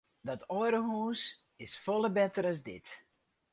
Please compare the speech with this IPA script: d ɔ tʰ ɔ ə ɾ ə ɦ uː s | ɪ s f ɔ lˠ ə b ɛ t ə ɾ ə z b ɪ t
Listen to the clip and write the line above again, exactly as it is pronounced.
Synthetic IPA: d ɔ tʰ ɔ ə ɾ ə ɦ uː s | ɪ s f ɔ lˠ ə b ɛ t ə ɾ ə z d ɪ t